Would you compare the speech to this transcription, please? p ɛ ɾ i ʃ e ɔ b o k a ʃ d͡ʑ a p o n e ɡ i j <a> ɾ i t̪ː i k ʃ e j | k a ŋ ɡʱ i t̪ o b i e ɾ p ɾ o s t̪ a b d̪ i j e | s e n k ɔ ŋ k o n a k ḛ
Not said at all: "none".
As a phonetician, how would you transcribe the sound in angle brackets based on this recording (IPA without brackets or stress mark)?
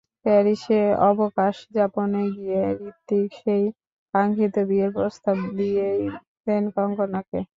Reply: e